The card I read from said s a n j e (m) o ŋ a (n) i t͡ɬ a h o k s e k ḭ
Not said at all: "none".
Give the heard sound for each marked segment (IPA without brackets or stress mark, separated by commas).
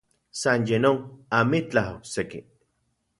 n, m